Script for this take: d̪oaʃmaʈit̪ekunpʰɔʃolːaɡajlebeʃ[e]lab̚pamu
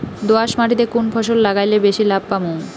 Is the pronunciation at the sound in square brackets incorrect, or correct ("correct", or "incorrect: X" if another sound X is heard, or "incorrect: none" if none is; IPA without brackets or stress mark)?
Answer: incorrect: i